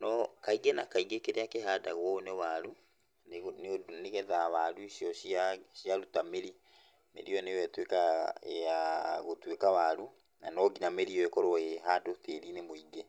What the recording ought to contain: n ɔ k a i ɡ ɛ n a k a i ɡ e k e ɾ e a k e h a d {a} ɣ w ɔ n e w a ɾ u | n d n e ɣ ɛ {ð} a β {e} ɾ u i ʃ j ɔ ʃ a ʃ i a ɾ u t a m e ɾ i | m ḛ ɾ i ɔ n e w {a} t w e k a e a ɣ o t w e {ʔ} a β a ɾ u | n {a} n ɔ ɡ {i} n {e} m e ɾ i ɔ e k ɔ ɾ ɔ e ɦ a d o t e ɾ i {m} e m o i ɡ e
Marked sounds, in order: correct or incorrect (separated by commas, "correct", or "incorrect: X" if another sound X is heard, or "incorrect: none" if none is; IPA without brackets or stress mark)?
correct, correct, incorrect: a, incorrect: ɛ, incorrect: k, correct, correct, incorrect: a, incorrect: n